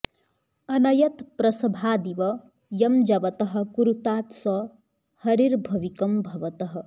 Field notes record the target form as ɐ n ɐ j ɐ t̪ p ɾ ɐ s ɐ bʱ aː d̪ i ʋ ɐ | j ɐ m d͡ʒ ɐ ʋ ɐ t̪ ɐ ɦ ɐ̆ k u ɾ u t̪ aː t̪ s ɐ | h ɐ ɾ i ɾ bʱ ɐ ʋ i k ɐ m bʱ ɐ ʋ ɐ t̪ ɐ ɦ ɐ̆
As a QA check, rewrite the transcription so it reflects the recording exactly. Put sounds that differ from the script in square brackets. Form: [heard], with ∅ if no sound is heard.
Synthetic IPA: ɐ n ɐ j ɐ t̪ p ɾ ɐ s ɐ bʱ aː d̪ i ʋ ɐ | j ɐ m d͡ʒ ɐ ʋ ɐ t̪ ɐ ɦ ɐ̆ k u ɾ u t̪ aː t̪ s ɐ | h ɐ ɾ i ɾ bʱ ɐ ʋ i k ɐ m bʱ ɐ ʋ ɐ t̪ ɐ ɦ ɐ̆